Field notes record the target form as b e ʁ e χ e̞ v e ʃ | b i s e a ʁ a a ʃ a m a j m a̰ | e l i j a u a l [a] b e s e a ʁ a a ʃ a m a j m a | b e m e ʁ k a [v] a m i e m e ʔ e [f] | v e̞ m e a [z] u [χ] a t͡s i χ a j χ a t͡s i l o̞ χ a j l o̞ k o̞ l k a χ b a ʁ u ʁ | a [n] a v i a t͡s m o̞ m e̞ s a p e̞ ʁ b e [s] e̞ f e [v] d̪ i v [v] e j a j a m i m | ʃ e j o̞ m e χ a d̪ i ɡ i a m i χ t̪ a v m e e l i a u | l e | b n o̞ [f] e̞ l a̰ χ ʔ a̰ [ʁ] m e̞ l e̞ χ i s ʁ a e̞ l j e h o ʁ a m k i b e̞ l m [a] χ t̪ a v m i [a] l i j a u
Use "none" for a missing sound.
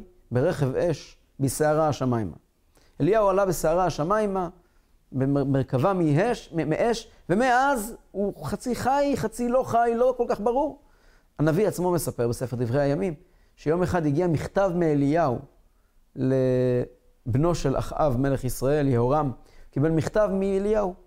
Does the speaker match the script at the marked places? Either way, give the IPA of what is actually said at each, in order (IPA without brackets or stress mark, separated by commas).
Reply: a, v, ʃ, z, χ, n, s, ʁ, ʁ, ʃ, v, i, e